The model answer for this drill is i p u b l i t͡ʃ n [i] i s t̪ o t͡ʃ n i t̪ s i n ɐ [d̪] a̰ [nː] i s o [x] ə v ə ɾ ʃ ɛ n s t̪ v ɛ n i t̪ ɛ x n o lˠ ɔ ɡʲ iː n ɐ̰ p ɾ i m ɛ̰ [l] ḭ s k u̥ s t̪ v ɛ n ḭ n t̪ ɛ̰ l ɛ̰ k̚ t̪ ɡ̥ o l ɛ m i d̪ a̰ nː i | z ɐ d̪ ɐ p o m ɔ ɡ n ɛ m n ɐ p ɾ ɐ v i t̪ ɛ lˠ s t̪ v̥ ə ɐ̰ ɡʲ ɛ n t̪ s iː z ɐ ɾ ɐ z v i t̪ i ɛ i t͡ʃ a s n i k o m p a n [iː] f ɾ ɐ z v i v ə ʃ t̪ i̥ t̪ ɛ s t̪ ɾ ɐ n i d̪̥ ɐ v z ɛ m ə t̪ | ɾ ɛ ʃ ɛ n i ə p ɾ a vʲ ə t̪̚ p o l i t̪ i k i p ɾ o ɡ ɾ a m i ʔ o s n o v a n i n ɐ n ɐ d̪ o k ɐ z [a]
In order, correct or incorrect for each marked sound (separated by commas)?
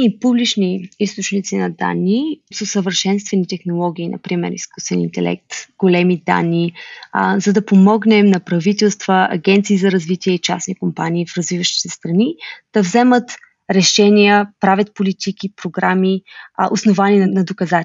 correct, correct, correct, incorrect, incorrect, correct, correct